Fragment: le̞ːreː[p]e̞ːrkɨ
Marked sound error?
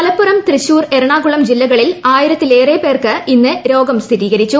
no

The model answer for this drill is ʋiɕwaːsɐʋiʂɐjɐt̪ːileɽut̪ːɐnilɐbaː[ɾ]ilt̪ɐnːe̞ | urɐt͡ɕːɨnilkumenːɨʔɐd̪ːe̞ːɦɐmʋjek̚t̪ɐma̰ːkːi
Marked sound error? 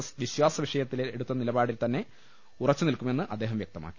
yes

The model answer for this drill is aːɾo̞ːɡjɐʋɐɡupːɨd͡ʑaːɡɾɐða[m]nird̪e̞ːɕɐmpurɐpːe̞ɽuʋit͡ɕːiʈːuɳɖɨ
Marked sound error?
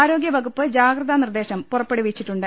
yes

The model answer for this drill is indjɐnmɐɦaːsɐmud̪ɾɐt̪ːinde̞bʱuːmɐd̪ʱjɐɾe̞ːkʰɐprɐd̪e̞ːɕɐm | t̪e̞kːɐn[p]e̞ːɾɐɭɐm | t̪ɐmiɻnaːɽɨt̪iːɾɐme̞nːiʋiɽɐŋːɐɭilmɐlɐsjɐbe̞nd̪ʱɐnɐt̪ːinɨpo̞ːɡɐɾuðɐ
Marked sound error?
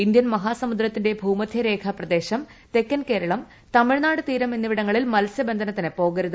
yes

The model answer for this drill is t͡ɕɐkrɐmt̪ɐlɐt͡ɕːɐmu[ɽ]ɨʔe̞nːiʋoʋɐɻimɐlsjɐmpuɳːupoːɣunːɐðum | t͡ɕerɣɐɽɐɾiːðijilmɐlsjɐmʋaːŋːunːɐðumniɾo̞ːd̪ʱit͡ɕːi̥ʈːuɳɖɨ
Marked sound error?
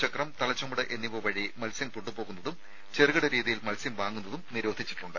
no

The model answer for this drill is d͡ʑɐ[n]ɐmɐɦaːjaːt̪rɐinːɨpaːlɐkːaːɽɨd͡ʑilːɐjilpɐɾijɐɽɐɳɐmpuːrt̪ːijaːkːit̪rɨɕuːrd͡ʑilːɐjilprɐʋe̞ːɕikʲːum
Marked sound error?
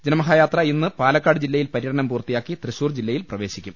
no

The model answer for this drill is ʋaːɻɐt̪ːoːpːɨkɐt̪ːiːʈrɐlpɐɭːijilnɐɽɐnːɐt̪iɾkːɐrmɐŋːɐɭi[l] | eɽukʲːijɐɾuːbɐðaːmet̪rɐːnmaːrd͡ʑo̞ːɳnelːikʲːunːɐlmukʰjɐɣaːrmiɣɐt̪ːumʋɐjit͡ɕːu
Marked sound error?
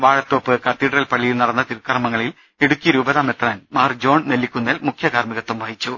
no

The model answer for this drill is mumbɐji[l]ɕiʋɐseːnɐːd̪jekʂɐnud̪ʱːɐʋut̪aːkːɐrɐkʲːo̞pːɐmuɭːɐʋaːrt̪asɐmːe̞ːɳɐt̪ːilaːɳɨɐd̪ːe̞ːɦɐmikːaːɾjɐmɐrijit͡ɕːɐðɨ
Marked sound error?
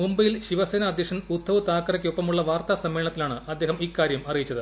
no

